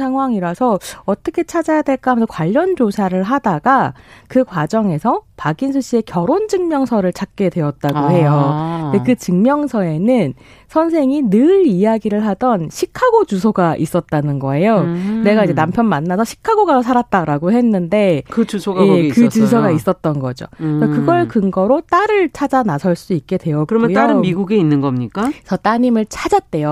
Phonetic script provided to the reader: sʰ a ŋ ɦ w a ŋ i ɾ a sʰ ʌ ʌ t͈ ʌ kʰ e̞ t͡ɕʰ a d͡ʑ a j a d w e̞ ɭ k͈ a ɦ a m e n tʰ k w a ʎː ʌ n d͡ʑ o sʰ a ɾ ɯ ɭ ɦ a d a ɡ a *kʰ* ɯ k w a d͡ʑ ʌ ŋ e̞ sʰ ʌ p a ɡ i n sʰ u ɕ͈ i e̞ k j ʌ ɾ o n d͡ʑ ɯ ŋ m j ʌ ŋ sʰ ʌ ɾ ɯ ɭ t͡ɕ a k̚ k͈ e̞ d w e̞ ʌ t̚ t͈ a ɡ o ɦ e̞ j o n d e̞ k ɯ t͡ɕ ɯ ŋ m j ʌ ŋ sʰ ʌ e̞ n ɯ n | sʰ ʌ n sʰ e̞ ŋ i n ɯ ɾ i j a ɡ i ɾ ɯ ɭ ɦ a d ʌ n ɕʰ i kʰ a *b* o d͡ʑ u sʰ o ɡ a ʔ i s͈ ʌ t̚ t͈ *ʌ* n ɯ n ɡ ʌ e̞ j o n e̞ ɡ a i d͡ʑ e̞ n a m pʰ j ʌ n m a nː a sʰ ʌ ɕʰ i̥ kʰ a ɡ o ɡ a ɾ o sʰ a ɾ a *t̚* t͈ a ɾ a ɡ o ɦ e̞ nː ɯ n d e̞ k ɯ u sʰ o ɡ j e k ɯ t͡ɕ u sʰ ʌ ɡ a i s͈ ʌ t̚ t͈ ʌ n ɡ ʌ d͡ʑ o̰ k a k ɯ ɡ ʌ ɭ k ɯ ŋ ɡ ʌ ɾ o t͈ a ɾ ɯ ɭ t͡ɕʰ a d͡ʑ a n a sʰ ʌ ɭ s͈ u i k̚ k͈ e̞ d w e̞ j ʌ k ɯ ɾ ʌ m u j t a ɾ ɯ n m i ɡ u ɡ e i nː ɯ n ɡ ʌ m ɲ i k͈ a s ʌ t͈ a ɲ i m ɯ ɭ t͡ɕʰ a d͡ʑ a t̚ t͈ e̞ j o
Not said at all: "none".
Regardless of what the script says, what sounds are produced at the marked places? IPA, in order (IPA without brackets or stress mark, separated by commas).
k, ɡ, a, t̚